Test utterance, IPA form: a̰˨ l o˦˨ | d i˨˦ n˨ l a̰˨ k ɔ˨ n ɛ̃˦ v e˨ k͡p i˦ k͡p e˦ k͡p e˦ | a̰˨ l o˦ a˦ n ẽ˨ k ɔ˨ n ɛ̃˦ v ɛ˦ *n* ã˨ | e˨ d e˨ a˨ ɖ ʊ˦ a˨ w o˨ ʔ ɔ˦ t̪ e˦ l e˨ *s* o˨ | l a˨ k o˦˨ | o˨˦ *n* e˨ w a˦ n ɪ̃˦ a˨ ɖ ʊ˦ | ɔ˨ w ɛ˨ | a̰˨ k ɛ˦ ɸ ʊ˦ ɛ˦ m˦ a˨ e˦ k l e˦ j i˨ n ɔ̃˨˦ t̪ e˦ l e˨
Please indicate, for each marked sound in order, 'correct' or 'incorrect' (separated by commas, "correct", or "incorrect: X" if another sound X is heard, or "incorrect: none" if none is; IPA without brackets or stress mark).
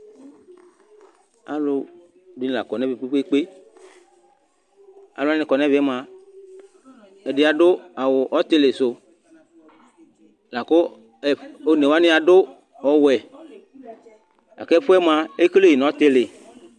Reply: incorrect: m, correct, correct